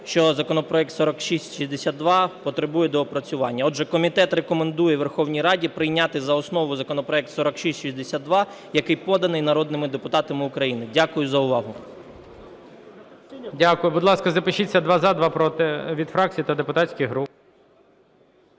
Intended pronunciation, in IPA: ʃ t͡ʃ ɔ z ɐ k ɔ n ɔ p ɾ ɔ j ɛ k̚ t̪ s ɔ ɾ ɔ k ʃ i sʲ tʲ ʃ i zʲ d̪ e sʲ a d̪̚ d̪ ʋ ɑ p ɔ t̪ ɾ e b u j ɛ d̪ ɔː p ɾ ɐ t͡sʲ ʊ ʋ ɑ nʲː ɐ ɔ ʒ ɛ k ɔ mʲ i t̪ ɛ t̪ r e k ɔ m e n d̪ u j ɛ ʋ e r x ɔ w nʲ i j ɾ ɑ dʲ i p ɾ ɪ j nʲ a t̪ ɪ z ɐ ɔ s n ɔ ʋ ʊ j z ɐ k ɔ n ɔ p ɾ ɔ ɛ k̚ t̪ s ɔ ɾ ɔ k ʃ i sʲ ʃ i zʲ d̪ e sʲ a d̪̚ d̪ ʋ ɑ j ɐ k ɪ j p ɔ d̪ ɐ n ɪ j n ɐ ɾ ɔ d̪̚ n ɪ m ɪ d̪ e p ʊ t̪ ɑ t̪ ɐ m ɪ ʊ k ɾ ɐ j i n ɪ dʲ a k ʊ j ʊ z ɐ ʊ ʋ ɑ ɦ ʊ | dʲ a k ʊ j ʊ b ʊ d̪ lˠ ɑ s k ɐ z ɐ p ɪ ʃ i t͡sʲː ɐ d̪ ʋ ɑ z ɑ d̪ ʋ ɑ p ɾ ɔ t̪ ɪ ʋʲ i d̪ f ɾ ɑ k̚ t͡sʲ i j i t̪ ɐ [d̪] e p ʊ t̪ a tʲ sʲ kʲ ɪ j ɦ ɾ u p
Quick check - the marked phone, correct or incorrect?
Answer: correct